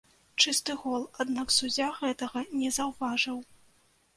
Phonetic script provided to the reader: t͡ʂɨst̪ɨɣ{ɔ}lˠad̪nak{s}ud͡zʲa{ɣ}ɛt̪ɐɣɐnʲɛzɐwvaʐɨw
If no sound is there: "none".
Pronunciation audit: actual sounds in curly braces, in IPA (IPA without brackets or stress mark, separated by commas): ɔ, s, ɣ